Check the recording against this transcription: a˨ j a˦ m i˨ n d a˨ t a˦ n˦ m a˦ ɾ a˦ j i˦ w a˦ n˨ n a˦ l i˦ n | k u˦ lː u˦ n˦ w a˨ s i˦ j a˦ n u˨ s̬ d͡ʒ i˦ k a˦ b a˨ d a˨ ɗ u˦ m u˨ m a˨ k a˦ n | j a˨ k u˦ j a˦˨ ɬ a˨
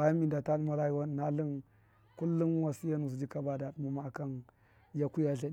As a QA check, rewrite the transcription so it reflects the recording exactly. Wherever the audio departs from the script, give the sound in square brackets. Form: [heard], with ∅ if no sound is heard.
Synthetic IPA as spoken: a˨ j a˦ m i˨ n d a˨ t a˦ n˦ m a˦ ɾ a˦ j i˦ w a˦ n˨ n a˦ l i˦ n | k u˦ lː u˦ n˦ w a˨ s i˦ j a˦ n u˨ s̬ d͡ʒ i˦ k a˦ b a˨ d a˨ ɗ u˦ m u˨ m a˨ k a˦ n | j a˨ k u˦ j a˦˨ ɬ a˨